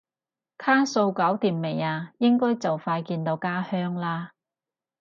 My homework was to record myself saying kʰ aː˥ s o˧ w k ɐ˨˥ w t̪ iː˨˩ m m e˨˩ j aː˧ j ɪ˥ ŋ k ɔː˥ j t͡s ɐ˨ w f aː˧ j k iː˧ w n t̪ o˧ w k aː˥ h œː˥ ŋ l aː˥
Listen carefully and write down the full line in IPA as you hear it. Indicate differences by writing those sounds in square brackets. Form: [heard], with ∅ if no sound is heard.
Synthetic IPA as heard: kʰ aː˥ s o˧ w k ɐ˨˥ w t̪ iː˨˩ m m e˨˩ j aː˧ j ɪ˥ ŋ k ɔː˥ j t͡s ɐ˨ w f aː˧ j k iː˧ [∅] n t̪ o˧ w k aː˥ h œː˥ ŋ l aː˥

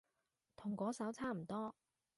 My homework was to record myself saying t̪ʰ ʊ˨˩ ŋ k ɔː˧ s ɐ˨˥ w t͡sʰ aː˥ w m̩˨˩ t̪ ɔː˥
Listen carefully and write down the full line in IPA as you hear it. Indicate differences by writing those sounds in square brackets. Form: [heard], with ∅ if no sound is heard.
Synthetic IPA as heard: t̪ʰ ʊ˨˩ ŋ k [ɔː˨˥] s ɐ˨˥ w t͡sʰ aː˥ [∅] m̩˨˩ t̪ ɔː˥

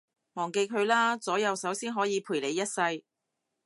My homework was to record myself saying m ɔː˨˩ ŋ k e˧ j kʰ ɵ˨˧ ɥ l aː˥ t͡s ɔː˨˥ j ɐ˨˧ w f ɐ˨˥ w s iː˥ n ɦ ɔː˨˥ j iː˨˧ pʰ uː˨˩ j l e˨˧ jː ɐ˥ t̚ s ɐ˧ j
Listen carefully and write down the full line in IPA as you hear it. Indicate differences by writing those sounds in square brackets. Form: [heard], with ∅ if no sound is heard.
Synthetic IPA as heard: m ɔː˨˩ ŋ k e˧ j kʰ ɵ˨˧ ɥ l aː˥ t͡s ɔː˨˥ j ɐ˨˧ w [s] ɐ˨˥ w s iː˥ n ɦ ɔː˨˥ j iː˨˧ pʰ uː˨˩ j l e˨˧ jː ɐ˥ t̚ s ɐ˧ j

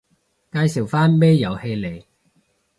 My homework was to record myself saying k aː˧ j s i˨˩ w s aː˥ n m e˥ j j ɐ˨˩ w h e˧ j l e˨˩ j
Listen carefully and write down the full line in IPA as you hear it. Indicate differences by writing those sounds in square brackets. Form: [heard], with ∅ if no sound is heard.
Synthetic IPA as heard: k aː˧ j s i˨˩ w [f] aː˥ n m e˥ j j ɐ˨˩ w h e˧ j l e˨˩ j

